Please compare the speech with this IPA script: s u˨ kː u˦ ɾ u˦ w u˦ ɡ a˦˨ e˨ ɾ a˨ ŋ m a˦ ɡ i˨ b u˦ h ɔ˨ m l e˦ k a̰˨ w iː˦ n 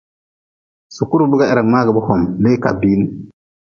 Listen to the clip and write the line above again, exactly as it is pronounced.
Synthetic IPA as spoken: s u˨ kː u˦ ɾ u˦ b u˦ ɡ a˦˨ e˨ ɾ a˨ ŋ m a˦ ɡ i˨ b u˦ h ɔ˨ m l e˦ k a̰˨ b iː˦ n